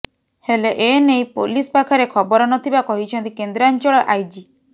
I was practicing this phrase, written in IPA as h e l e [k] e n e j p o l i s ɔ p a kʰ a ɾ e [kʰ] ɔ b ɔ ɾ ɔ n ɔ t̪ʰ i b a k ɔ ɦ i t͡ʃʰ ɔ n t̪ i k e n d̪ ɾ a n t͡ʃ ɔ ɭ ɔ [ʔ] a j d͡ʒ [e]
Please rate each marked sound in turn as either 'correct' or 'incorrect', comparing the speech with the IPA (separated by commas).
incorrect, correct, correct, incorrect